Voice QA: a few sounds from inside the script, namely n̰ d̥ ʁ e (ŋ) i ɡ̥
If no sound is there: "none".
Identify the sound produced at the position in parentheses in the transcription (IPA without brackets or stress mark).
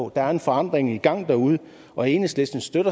ŋ